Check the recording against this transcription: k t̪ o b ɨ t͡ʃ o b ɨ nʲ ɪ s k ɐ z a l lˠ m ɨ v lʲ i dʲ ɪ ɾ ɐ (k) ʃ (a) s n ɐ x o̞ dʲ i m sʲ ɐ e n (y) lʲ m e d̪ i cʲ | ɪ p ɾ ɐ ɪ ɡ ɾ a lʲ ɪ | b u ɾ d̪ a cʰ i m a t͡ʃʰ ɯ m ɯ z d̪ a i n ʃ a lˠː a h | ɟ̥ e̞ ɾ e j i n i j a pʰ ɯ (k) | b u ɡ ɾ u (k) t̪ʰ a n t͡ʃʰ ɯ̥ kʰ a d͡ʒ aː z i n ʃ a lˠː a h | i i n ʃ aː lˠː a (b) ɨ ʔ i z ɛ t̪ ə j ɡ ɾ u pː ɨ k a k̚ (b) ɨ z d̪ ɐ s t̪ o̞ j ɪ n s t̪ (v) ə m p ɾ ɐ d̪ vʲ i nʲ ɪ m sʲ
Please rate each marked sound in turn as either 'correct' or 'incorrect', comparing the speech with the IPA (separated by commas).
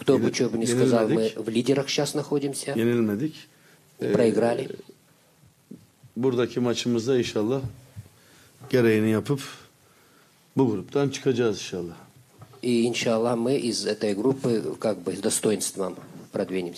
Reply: incorrect, correct, incorrect, incorrect, incorrect, incorrect, correct, correct